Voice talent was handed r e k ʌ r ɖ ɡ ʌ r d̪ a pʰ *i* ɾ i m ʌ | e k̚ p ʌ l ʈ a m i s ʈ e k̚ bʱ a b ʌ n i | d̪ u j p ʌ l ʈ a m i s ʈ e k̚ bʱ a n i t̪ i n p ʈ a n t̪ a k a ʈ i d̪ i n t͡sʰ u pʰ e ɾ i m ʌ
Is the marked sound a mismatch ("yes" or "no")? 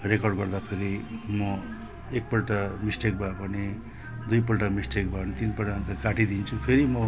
yes